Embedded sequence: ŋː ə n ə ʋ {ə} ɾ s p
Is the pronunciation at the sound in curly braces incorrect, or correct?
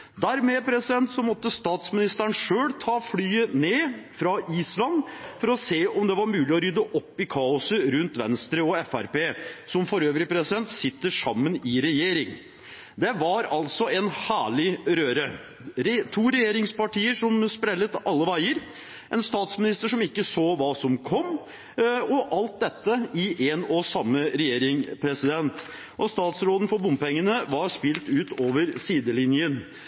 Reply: incorrect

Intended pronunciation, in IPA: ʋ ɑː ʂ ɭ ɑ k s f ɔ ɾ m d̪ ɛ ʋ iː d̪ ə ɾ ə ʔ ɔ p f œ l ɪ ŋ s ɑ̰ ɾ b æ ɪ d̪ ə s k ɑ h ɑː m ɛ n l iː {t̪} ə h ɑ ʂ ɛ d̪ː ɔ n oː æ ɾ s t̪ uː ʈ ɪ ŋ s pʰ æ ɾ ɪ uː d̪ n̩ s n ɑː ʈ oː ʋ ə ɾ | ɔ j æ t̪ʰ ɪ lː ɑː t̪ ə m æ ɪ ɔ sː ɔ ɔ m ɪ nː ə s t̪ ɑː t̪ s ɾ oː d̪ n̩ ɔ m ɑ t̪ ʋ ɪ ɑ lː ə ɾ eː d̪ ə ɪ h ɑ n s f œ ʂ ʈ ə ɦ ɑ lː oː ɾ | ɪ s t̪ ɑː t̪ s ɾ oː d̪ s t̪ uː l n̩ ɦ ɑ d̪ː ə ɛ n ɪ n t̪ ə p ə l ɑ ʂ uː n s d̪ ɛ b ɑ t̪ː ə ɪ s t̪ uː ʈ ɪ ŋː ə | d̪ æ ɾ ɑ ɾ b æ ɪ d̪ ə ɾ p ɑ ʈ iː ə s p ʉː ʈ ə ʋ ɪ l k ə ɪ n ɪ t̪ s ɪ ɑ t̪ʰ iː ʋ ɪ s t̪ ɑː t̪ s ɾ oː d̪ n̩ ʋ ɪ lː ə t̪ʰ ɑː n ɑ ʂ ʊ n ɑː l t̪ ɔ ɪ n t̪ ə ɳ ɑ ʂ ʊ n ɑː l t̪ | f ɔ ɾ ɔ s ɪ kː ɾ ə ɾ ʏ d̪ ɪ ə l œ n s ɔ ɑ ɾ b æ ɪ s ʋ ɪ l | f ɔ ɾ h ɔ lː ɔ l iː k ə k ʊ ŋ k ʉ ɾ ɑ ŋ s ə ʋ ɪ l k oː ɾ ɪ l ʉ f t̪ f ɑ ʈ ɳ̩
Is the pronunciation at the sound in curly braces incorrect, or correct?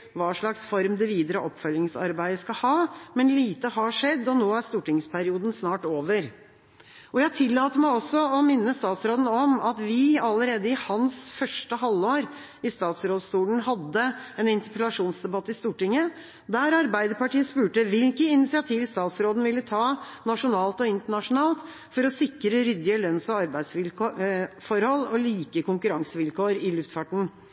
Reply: correct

